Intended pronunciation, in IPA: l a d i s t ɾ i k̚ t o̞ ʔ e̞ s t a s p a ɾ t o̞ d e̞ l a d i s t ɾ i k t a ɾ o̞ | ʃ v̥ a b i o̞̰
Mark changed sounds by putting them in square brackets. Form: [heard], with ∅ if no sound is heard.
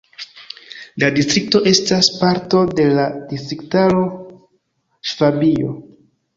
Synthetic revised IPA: l a d i s t ɾ i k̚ t o̞ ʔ e̞ s t a s p a ɾ t o̞ d e̞ l a d i s t ɾ i k t a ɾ o̞ | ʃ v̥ a b i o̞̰